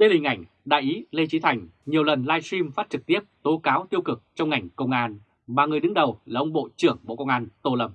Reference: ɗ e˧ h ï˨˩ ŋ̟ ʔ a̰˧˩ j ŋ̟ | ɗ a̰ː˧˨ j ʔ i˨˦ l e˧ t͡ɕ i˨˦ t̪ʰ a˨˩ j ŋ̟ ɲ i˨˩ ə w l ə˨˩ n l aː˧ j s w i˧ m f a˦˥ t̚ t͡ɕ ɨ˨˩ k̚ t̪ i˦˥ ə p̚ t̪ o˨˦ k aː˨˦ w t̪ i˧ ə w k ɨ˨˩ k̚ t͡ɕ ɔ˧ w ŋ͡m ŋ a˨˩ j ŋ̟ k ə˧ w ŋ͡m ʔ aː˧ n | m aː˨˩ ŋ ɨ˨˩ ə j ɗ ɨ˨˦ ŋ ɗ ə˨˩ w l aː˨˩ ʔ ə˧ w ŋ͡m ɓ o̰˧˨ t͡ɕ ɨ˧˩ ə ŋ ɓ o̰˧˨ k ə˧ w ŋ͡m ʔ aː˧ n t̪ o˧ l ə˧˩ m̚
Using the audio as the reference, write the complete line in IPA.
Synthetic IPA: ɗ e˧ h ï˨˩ ŋ̟ ʔ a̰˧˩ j ŋ̟ | ɗ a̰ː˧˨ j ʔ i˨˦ l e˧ t͡ɕ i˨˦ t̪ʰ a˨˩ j ŋ̟ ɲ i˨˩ ə w l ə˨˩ n l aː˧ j s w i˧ m f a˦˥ t̚ t͡ɕ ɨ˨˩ k̚ t̪ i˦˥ ə p̚ t̪ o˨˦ k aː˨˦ w t̪ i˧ ə w k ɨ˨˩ k̚ t͡ɕ ɔ˧ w ŋ͡m ŋ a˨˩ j ŋ̟ k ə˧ w ŋ͡m ʔ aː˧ n | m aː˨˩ ŋ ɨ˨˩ ə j ɗ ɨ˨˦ ŋ ɗ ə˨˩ w l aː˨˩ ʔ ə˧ w ŋ͡m ɓ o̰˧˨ t͡ɕ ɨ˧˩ ə ŋ ɓ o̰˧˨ k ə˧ w ŋ͡m ʔ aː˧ n t̪ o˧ l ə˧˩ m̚